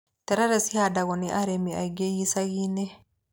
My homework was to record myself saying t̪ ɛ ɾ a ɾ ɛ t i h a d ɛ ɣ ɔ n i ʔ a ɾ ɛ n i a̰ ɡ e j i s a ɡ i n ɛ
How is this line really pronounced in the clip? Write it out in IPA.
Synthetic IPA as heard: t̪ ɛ ɾ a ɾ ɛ s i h a d a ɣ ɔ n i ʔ a ɾ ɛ m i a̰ ɡ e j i s a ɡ i n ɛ